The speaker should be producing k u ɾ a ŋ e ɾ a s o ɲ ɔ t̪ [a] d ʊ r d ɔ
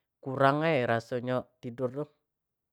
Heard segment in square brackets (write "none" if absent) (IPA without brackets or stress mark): i